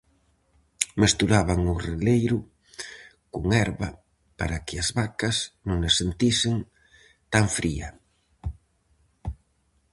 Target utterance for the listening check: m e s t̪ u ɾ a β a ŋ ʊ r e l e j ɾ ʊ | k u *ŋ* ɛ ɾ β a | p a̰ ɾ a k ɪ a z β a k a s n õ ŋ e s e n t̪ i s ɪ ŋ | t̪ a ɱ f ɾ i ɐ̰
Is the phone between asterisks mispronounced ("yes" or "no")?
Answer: no